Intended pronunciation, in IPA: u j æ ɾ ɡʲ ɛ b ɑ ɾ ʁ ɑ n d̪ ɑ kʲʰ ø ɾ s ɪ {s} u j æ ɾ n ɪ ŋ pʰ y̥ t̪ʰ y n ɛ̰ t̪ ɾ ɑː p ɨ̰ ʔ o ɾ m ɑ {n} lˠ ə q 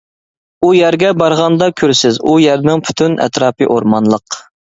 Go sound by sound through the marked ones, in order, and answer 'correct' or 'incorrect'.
incorrect: z, correct

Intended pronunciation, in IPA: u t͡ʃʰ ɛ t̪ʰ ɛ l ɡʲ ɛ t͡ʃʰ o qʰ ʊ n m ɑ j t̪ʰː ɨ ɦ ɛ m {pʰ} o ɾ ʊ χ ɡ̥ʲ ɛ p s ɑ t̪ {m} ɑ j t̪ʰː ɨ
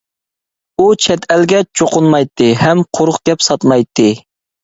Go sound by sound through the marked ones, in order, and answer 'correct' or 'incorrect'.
incorrect: qʰ, correct

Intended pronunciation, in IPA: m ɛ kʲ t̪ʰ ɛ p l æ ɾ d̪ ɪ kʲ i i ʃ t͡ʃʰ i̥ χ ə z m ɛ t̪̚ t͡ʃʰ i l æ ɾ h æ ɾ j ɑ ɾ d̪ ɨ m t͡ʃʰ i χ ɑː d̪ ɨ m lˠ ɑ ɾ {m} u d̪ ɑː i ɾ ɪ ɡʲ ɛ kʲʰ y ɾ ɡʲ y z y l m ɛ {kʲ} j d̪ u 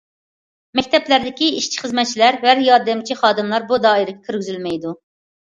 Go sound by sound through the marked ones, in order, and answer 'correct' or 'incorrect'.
incorrect: b, incorrect: none

